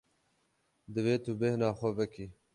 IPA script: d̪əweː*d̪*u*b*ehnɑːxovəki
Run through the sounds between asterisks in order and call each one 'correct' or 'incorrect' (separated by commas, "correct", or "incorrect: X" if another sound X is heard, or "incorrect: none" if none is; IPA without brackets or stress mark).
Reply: incorrect: t̪, correct